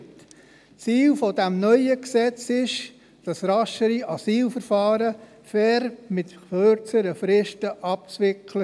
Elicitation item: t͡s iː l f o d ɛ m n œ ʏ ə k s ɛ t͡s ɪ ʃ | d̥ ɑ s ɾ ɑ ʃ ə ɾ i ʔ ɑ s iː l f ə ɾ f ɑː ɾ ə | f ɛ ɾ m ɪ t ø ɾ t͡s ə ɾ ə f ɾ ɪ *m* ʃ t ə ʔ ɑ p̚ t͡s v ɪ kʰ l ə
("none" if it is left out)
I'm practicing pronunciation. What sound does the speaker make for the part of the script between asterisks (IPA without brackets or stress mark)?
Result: none